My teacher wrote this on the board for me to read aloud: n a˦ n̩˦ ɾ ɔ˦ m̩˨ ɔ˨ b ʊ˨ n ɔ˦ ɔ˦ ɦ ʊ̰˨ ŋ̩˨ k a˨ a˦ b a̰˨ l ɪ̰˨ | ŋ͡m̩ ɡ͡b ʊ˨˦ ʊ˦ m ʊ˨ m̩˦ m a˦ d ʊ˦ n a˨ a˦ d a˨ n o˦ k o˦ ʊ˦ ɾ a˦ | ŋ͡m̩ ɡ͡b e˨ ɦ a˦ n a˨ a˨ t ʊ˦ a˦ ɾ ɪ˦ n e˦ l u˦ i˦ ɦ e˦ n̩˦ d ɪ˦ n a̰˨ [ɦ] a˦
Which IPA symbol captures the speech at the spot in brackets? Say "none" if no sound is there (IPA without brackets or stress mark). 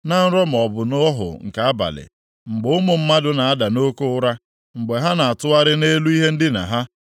ɦ